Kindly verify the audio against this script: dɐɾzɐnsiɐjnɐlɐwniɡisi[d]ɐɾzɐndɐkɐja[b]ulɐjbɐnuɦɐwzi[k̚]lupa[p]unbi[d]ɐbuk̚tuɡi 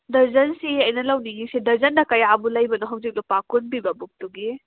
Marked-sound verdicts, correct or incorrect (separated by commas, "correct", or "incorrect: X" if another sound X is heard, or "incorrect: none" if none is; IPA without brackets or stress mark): correct, correct, correct, incorrect: k, incorrect: b